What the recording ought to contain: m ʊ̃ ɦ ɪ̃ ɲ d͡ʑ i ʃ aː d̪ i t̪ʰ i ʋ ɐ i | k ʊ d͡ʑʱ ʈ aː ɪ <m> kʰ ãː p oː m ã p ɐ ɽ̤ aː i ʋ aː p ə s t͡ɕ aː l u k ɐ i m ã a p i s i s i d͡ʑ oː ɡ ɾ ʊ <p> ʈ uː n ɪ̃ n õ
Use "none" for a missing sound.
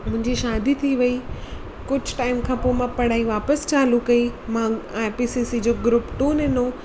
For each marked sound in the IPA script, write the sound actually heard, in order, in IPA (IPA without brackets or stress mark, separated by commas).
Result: m, p